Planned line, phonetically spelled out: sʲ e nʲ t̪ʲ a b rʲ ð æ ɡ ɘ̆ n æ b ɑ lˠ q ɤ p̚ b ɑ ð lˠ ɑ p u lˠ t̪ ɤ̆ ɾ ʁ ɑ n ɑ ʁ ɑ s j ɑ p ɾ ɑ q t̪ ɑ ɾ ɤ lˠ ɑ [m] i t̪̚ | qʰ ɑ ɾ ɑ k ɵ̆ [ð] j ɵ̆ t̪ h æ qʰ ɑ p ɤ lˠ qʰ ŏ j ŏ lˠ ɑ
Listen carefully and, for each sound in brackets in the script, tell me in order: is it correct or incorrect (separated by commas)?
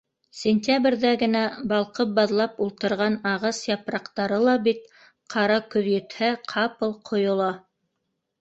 incorrect, correct